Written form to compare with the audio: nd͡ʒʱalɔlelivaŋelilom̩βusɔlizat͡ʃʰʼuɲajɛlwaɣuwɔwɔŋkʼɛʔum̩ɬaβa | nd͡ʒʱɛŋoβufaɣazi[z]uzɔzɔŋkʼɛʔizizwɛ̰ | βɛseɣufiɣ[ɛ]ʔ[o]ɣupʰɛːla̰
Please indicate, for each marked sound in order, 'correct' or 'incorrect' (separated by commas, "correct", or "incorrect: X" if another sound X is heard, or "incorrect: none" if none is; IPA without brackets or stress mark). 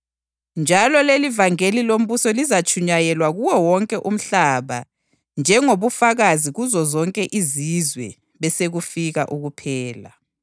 incorrect: ɣ, incorrect: a, incorrect: u